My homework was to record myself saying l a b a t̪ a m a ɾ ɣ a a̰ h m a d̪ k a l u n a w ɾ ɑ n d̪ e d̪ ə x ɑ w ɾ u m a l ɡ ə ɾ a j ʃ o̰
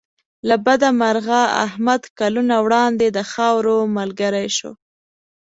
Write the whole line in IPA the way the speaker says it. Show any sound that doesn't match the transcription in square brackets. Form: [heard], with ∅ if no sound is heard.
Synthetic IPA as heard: l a b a [d̪] a m a ɾ ɣ a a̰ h m a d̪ k a l u n a w [ɽ] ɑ n d̪ e d̪ ə x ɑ w ɾ [o] m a l ɡ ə ɾ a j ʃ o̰